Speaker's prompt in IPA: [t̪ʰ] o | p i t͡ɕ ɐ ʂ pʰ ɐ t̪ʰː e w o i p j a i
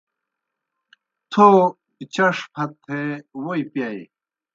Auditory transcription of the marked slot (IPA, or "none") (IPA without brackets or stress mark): t̪ʰ